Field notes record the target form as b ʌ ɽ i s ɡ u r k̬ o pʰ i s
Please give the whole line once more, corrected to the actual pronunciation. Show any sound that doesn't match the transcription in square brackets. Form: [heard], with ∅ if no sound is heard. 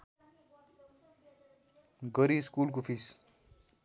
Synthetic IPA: [ɡ] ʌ [ɾ] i s [k] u [l] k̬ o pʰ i s